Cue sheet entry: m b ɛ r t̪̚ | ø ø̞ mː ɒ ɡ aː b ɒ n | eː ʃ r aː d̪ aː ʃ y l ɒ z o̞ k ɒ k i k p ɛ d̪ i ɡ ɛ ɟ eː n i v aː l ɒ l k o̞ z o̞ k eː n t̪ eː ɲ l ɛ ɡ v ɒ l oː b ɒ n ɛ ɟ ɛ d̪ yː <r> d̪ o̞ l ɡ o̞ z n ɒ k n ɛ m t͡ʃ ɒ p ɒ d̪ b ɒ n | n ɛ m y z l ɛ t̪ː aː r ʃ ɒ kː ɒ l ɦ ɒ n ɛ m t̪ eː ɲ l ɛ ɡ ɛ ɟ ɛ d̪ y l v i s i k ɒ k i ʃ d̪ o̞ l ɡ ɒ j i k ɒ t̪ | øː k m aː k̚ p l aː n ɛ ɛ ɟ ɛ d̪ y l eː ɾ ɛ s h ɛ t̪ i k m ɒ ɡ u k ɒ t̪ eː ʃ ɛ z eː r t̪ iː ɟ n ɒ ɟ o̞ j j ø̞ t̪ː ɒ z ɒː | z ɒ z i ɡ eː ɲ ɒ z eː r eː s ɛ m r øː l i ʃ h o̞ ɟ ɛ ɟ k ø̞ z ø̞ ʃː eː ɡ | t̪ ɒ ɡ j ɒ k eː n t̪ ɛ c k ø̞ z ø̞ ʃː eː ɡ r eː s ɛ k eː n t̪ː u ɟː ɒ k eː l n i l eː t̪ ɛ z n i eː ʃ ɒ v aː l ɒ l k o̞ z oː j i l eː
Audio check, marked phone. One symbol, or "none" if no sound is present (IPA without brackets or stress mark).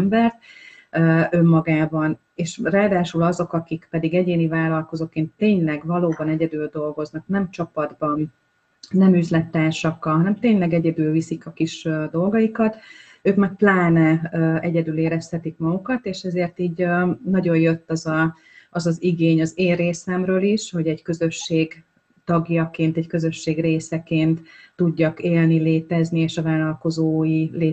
l